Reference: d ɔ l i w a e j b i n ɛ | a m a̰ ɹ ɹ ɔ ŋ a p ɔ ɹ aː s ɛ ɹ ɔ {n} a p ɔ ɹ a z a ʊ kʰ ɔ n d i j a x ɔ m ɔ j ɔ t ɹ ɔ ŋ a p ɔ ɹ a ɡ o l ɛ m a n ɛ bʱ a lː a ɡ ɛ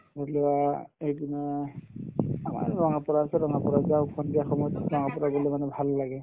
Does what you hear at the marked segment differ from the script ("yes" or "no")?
yes